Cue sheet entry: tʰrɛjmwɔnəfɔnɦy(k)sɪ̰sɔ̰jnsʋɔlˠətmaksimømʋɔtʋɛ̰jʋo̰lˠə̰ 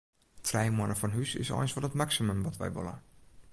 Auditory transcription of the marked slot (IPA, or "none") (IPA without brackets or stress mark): none